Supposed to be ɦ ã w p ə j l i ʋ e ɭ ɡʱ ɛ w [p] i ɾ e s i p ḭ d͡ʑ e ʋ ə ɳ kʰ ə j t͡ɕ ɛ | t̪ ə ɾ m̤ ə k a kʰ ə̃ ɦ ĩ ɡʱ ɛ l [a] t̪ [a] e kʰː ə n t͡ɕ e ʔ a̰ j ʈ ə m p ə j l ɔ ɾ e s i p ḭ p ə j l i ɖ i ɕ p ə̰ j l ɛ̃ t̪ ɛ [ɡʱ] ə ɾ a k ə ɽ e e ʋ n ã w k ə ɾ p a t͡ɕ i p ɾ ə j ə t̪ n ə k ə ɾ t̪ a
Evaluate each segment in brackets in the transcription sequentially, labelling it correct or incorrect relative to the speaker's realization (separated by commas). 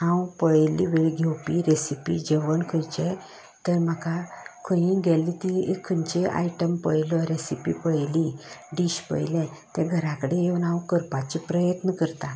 correct, incorrect, incorrect, correct